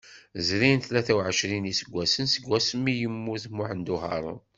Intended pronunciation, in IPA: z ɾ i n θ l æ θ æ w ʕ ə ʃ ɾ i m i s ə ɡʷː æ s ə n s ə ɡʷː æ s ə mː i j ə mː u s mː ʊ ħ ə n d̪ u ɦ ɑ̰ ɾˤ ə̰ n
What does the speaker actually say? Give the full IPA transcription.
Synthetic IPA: z ɾ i n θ l æ θ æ w ʕ ə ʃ ɾ i n i s ə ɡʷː æ s ə n s ə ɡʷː æ s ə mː i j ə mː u θ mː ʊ ħ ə n d̪ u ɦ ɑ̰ ɾˤ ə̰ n